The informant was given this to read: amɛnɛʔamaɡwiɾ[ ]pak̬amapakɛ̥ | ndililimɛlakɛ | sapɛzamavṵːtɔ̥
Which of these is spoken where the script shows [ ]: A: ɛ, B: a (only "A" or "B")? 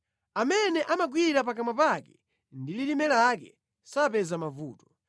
B